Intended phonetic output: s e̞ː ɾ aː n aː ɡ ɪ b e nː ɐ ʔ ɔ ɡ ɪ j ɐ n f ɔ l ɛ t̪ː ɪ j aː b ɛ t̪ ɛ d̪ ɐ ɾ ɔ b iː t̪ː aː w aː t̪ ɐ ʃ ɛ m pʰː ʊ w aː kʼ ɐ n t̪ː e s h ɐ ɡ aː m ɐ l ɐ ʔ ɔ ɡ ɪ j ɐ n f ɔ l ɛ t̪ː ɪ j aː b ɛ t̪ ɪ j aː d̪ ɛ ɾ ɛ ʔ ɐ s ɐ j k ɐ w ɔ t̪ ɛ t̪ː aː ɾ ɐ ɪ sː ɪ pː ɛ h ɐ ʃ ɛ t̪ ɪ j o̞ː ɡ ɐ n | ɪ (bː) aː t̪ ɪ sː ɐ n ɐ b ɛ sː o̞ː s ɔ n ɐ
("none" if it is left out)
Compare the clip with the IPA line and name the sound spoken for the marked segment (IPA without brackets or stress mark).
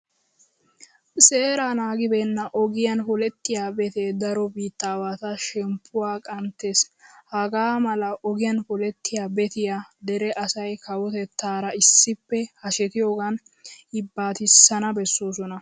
bː